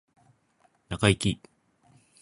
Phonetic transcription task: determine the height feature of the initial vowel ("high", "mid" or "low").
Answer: low